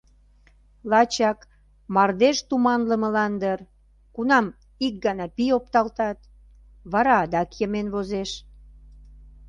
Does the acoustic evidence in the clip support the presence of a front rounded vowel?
no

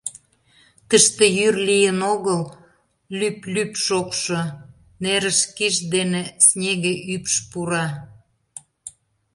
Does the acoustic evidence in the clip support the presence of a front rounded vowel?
yes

